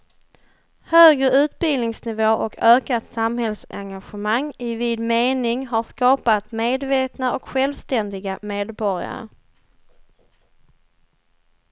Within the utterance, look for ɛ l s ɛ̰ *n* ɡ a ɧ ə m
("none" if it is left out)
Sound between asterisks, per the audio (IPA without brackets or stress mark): ŋ